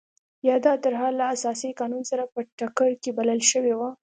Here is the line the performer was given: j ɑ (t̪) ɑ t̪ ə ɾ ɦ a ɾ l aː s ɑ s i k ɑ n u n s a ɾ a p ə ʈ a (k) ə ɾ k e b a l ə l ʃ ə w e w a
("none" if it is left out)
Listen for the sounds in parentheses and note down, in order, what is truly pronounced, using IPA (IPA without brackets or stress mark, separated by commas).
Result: d̪, k